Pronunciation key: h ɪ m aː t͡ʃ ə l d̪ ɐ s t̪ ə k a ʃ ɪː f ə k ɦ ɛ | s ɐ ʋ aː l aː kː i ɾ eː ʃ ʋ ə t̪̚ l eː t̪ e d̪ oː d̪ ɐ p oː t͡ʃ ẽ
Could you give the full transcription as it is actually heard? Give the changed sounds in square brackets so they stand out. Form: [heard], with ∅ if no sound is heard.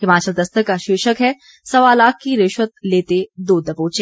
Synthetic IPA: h ɪ m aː t͡ʃ ə l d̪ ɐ s t̪ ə k a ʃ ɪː [ʃ] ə k ɦ ɛ | s ɐ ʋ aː l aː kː i ɾ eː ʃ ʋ ə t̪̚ l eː t̪ e d̪ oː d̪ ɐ p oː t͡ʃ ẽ